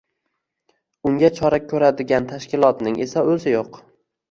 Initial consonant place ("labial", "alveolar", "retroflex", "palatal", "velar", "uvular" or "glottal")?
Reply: velar